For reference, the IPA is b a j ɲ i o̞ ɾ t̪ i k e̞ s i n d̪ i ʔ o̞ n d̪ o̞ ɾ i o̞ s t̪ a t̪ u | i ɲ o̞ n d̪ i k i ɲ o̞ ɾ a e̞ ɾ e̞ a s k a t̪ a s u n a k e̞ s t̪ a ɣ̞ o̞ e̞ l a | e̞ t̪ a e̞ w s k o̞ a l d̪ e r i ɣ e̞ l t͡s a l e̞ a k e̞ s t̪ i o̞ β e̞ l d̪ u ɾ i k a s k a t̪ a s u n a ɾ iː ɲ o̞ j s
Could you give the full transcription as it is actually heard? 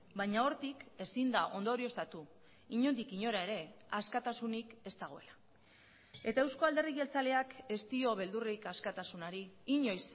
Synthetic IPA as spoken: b a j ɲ a o̞ ɾ t̪ i k e̞ s i n d̪ a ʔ o̞ n d̪ o̞ ɾ i o̞ s t̪ a t̪ u | i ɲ o̞ n d̪ i k i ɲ o̞ ɾ a e̞ ɾ e̞ a s k a t̪ a s u n i k e̞ s t̪ a ɣ̞ o̞ e̞ l a | e̞ t̪ a e̞ w s k o̞ a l d̪ e r i ɣ e̞ l t͡s a l e̞ a k e̞ s t̪ i o̞ β e̞ l d̪ u r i k a s k a t̪ a s u n a ɾ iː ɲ o̞ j s